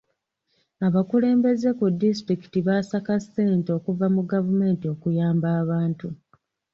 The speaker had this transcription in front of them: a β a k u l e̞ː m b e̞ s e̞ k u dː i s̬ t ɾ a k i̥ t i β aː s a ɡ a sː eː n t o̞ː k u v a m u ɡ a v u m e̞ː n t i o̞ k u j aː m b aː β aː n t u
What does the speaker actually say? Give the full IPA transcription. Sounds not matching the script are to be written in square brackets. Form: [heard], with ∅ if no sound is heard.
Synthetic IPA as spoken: a β a k u l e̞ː m b e̞ [z] e̞ k u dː i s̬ t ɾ [i] k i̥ t i β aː s a [k] a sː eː n t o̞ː k u v a m u ɡ a v u m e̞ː n t i o̞ k u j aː m b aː β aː n t u